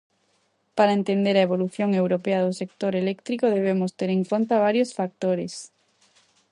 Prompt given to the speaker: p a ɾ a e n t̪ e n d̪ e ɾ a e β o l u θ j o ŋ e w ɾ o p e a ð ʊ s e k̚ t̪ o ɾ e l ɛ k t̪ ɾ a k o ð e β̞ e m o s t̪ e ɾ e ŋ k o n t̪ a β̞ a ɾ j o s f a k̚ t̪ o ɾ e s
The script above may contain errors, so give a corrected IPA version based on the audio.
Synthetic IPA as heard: p a ɾ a e n t̪ e n d̪ e ɾ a e β o l u θ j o ŋ e w ɾ o p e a ð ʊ s e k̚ t̪ o ɾ e l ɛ k t̪ ɾ i k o ð e β̞ e m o s t̪ e ɾ e ŋ k o n t̪ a β̞ a ɾ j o s f a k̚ t̪ o ɾ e s